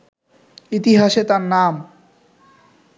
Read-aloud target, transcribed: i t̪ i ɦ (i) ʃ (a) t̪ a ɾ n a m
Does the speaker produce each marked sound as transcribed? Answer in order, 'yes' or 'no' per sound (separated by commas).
no, no